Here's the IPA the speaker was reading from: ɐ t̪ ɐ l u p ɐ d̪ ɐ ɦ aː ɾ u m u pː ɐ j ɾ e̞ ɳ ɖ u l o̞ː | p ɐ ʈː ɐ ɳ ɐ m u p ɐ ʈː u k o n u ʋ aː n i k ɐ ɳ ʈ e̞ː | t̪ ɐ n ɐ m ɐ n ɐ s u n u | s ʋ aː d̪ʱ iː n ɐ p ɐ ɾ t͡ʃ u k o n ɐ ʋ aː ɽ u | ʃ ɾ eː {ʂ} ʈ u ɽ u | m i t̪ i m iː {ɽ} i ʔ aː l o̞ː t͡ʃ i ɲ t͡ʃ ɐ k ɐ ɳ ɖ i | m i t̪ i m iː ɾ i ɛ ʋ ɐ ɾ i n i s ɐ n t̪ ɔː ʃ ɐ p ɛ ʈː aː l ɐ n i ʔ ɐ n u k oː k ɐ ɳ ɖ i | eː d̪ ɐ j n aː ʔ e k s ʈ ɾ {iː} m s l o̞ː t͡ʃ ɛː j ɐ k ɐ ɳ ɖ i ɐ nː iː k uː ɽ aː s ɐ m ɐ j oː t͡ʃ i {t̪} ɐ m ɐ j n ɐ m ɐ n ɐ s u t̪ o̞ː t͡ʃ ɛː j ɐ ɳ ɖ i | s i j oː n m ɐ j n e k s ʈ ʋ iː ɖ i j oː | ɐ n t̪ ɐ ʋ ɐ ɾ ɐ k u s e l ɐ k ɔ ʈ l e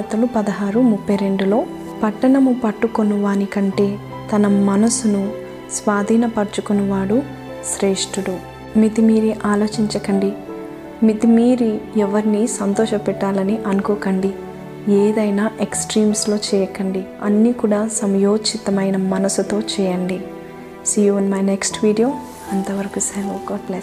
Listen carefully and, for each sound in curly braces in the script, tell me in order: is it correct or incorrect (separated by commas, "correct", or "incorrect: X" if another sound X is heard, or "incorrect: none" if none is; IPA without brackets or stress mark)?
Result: correct, incorrect: ɾ, correct, correct